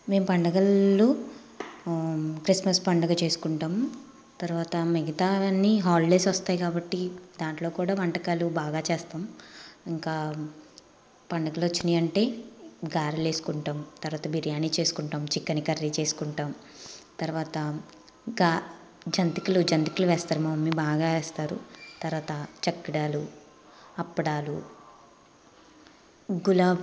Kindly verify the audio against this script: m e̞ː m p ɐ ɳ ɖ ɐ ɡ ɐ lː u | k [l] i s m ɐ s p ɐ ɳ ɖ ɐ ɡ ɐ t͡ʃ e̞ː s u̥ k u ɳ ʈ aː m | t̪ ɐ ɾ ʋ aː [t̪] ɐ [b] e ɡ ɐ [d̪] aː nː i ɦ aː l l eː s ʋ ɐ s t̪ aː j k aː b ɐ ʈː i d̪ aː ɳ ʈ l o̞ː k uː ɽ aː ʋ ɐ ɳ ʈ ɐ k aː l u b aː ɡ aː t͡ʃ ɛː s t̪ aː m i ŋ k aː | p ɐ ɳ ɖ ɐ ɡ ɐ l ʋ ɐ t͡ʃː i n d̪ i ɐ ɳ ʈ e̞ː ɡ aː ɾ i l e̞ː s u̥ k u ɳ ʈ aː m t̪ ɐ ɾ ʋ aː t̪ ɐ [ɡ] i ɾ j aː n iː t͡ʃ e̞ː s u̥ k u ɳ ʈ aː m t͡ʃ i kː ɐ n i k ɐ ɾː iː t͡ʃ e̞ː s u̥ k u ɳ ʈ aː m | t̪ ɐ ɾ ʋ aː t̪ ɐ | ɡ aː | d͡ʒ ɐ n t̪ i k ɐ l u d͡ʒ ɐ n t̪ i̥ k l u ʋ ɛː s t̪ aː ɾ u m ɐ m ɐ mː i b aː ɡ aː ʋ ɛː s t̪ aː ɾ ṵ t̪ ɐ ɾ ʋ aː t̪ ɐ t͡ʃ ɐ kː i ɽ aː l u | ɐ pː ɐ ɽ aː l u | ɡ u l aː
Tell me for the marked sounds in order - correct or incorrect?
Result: incorrect: ɾ, correct, incorrect: m, incorrect: t̪, incorrect: b

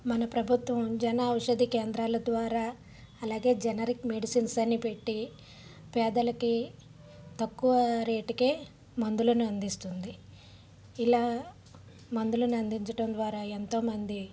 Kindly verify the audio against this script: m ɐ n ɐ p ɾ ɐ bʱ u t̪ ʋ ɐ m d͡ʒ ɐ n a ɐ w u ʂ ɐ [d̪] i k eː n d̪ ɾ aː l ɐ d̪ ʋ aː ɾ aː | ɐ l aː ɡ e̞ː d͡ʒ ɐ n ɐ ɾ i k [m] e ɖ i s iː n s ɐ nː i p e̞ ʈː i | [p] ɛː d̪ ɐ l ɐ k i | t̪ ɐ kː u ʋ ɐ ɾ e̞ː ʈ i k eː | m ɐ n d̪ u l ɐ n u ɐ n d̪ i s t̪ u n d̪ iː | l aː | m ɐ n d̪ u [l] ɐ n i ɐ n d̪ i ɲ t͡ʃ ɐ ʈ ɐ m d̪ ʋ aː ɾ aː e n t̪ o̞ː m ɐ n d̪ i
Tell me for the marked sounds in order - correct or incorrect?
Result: correct, correct, correct, correct

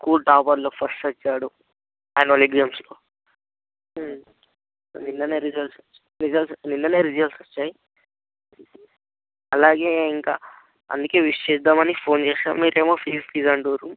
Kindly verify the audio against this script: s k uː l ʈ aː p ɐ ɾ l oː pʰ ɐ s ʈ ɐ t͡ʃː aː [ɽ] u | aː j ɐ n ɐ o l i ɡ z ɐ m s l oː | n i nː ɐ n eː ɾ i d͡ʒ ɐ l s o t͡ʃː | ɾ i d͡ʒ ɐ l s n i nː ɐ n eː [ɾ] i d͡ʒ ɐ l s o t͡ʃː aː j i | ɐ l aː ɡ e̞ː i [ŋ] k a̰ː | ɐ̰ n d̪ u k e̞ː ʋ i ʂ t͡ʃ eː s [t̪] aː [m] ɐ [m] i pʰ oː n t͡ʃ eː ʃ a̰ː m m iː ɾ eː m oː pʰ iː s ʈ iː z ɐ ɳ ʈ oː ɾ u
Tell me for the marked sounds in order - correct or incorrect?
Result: correct, correct, correct, incorrect: d̪, correct, incorrect: n

